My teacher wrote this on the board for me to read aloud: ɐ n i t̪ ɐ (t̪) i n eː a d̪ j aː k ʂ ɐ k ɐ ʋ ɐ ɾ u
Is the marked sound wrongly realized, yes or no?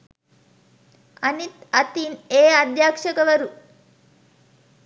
no